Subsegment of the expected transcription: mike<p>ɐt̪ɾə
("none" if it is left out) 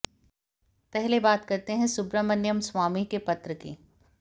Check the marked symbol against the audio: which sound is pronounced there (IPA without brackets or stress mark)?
p